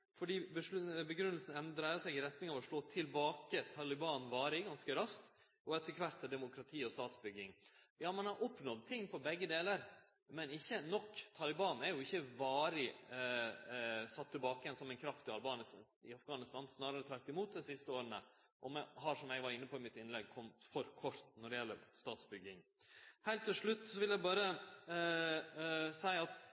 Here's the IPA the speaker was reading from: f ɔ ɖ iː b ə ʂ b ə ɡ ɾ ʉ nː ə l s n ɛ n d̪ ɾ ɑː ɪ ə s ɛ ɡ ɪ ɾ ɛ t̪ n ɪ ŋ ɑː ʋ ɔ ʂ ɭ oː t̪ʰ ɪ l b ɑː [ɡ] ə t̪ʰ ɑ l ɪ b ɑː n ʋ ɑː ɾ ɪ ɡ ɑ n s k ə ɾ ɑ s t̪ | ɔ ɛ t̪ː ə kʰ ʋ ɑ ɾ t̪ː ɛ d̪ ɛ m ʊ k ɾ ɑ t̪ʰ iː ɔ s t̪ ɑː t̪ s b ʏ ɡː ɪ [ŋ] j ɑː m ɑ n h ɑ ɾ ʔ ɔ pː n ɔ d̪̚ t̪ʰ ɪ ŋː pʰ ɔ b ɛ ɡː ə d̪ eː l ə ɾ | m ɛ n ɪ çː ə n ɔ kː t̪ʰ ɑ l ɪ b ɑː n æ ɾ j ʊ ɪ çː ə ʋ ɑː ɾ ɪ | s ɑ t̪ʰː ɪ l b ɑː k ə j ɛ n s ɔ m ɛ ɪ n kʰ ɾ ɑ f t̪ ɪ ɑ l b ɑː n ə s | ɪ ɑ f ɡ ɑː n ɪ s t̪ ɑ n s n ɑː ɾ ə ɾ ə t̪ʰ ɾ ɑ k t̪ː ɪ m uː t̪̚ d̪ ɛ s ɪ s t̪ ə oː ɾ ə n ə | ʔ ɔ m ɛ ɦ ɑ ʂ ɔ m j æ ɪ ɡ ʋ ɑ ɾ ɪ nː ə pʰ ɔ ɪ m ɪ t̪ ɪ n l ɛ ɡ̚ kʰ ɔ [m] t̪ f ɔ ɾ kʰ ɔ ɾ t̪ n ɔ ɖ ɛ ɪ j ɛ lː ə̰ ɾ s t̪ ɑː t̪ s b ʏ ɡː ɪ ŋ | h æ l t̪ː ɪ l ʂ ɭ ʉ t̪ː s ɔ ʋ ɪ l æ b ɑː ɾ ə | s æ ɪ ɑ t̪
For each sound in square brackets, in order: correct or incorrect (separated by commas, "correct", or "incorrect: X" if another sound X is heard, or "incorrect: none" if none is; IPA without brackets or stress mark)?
incorrect: k, correct, correct